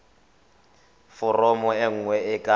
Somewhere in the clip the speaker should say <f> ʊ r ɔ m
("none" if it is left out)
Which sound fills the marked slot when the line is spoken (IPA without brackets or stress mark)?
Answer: f